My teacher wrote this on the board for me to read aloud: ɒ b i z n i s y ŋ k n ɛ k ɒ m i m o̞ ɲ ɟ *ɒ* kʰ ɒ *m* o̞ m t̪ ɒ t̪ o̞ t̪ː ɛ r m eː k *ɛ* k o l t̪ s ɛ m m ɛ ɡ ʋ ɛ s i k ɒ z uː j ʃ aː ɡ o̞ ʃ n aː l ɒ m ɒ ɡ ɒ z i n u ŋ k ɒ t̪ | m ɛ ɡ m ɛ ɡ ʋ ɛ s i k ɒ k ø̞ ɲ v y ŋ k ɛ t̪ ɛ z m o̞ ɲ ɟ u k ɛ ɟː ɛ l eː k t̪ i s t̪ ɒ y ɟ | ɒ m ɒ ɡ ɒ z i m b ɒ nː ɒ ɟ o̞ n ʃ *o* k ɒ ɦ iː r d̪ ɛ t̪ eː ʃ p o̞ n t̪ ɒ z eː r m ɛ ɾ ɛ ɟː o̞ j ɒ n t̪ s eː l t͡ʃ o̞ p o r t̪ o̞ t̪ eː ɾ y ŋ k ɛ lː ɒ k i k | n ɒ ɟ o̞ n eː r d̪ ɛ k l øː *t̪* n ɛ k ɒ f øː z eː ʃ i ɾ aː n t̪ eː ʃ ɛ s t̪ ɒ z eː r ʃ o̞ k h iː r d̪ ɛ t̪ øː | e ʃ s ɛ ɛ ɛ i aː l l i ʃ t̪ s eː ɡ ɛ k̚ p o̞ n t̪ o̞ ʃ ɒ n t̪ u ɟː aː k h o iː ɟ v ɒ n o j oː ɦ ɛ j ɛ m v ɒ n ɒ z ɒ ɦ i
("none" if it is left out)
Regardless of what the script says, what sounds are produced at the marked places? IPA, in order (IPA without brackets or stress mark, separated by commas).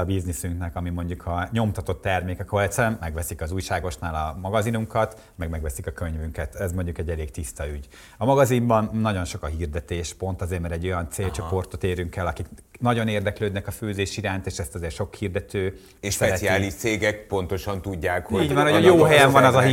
u, ɲ, ɛ, o, d̪